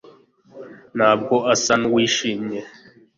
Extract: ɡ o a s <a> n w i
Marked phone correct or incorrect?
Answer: correct